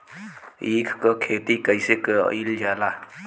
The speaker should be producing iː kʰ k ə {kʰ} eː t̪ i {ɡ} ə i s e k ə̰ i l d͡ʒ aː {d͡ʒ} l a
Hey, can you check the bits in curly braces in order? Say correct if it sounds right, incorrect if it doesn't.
correct, incorrect: k, incorrect: none

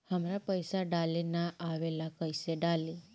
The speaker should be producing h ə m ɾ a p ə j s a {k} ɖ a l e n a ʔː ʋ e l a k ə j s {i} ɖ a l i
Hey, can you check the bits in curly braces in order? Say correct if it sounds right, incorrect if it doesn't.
incorrect: none, incorrect: e

